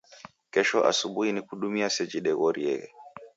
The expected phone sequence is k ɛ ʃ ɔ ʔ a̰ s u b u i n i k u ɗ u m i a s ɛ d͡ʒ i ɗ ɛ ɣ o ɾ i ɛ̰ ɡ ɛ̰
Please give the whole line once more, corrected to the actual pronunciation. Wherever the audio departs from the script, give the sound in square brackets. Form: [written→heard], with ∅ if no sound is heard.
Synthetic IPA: k ɛ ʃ ɔ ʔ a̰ s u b u i n i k u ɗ u m i a s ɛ d͡ʒ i ɗ ɛ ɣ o ɾ i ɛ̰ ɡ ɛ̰